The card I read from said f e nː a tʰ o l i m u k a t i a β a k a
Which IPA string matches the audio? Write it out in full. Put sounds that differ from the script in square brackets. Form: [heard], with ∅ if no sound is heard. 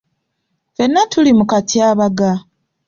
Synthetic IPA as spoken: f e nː a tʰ [u] l i m u k a t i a β a [ɡ] a